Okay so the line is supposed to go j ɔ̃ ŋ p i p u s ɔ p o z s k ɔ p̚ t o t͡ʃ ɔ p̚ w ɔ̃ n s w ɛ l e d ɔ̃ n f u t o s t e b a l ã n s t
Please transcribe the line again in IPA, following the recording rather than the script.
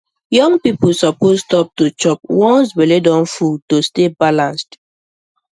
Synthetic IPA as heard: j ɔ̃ ŋ p i p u s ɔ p o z s t ɔ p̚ t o t͡ʃ ɔ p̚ w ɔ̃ n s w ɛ l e d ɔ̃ n f u t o s t e b a l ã n s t